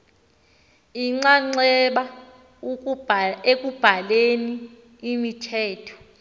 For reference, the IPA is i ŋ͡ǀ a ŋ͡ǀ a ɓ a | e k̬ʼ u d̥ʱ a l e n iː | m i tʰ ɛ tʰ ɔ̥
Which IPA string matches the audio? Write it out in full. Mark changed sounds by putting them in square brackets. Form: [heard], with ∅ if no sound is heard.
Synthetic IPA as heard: i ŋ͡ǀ a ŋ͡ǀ [ɛ] ɓ a | e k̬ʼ u [b̥ʱ] a l e n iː | m i tʰ [ɛː] tʰ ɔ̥